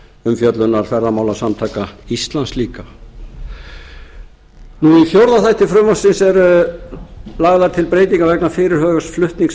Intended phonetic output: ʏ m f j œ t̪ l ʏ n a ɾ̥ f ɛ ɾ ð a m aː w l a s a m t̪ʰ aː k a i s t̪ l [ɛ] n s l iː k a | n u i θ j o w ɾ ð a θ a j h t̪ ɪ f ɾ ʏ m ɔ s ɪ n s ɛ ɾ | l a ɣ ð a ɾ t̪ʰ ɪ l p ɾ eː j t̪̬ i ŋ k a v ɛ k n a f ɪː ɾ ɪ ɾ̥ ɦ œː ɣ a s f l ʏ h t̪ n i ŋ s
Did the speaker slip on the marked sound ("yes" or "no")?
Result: yes